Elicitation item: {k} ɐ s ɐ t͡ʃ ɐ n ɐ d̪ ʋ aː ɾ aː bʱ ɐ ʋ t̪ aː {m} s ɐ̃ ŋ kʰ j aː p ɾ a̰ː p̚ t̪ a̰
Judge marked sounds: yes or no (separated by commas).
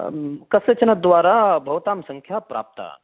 yes, yes